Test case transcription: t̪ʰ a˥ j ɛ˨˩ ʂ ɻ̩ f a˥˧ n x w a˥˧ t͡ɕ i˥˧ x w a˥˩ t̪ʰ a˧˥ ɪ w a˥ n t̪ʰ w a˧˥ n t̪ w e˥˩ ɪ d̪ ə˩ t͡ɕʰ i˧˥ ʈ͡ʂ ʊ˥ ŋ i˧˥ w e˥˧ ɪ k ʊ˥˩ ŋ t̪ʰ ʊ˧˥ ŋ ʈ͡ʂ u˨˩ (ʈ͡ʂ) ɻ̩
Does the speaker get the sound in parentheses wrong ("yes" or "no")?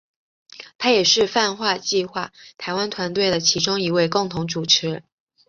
yes